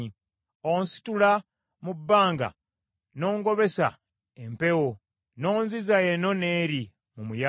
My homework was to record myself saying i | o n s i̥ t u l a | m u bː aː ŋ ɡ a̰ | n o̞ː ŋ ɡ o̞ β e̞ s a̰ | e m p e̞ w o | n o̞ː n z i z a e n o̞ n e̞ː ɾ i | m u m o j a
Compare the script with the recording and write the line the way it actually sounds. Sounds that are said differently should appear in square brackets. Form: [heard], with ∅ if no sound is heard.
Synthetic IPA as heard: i | o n s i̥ t u l a | m u bː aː ŋ ɡ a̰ | n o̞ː ŋ ɡ o̞ β e̞ s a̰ | e m p e̞ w o | n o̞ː n z i z a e n o̞ n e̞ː ɾ i | m u m [u] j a